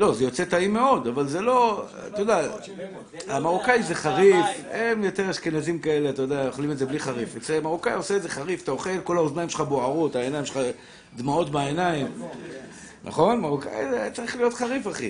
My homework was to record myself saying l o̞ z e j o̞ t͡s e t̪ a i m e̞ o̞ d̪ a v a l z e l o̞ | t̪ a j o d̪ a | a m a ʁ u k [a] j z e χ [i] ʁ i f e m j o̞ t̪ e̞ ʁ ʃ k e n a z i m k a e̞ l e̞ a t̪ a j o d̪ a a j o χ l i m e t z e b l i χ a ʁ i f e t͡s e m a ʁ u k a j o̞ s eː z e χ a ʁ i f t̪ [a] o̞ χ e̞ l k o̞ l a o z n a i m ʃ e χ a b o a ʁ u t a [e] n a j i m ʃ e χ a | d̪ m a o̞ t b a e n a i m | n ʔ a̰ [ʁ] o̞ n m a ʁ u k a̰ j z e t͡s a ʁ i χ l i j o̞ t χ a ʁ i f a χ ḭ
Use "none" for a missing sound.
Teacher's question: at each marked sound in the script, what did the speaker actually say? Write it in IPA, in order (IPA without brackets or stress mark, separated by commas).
a, a, a, e, χ